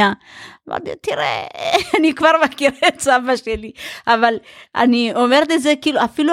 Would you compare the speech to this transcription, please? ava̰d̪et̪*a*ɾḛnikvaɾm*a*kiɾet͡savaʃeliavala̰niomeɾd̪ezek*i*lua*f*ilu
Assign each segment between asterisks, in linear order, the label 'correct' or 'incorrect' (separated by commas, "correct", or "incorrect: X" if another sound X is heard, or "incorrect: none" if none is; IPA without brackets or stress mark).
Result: incorrect: i, correct, correct, correct